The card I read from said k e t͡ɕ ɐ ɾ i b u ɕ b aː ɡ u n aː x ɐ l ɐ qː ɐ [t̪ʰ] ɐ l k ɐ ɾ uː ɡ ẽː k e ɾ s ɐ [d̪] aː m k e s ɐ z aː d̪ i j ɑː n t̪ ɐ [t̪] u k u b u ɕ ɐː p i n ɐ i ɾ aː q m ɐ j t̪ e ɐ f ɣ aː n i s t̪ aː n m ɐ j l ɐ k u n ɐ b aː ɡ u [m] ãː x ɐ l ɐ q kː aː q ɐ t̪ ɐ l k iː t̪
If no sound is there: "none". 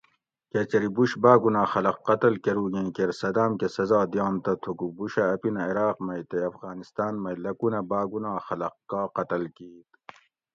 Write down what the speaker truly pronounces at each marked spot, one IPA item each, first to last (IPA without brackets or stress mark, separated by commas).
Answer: t̪, d̪, t̪ʰ, n